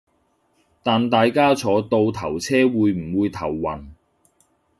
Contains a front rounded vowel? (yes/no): no